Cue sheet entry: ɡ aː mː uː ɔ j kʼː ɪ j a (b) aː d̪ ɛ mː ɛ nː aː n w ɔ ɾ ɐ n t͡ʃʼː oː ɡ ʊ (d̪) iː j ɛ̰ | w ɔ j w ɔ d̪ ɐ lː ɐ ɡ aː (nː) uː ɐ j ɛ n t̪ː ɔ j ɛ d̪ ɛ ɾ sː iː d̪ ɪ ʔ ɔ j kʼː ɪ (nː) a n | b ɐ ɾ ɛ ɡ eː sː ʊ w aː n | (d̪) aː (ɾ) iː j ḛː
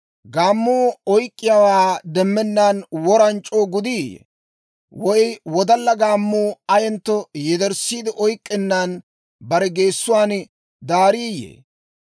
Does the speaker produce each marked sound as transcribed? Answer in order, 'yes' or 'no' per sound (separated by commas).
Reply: no, yes, no, yes, yes, yes